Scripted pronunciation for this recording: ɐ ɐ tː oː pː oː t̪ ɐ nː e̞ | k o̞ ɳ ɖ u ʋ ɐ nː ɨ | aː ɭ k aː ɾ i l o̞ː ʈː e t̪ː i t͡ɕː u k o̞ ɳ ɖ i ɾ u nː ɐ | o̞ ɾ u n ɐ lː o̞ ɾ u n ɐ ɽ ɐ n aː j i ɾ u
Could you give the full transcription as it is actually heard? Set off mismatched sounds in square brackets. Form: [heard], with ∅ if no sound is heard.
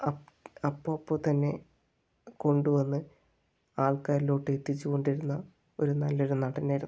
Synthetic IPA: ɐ ɐ [pː] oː pː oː t̪ ɐ nː e̞ | k o̞ ɳ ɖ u ʋ ɐ nː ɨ | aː ɭ k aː ɾ i l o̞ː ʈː e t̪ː i t͡ɕː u k o̞ ɳ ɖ i ɾ u nː ɐ | o̞ ɾ u n ɐ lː o̞ ɾ u n ɐ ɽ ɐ n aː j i ɾ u